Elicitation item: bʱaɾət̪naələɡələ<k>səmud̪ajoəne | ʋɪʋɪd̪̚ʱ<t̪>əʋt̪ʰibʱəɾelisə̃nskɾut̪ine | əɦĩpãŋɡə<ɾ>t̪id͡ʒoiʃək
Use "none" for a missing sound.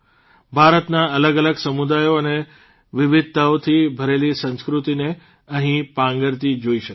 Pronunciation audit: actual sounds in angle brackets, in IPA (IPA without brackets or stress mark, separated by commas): ɡ, t̪, ɾ